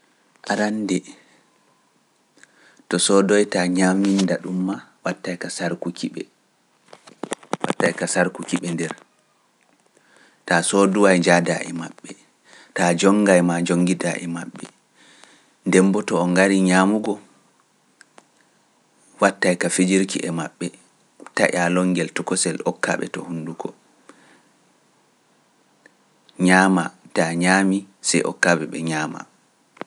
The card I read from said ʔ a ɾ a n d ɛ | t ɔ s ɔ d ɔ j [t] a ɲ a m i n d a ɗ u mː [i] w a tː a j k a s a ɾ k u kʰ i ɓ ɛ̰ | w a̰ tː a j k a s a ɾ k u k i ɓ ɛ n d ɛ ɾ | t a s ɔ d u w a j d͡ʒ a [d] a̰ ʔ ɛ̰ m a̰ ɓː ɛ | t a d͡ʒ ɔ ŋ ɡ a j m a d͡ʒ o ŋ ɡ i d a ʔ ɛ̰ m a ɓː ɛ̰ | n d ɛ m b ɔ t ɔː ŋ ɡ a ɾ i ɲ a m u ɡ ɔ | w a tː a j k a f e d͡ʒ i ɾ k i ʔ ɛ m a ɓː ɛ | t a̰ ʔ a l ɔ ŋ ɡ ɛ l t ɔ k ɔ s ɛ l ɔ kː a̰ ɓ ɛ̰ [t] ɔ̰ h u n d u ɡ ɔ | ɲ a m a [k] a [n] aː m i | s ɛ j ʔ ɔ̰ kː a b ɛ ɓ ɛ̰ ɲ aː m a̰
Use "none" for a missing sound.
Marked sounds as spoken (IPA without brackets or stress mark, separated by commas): t, a, d, t, t, ɲ